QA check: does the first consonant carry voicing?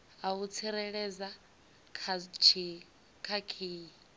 no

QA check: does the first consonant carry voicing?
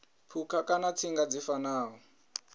no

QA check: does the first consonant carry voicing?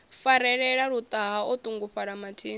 no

